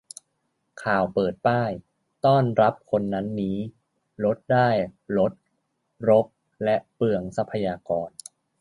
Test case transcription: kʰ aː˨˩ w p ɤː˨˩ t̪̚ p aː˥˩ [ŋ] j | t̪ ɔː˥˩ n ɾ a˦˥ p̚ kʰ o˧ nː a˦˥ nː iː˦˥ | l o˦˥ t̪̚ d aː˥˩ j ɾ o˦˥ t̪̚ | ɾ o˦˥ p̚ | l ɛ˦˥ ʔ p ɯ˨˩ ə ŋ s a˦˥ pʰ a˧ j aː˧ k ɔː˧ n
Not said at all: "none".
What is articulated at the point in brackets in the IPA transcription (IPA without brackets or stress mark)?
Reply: none